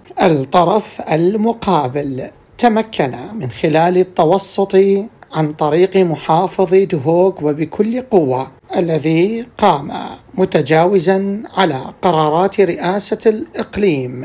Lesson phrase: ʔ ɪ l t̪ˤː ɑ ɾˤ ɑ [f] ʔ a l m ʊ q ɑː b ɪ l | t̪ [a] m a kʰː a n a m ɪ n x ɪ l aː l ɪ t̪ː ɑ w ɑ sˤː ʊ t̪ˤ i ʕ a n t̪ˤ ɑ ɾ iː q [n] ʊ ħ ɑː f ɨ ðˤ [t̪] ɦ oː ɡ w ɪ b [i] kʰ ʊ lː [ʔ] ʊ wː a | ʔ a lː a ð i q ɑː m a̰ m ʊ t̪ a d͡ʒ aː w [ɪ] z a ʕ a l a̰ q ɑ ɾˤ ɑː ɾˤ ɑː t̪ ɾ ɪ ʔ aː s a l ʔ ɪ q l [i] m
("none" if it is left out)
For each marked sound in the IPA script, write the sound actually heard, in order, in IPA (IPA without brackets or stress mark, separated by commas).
f, a, m, d̪, ɪ, q, ɪ, iː